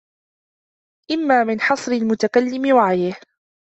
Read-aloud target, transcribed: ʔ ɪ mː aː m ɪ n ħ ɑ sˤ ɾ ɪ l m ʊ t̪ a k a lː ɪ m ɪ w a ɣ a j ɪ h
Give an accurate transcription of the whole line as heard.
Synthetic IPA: ʔ ɪ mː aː m ɪ n ħ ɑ sˤ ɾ ɪ l m ʊ t̪ a k a lː ɪ m ɪ w a ʕ a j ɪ h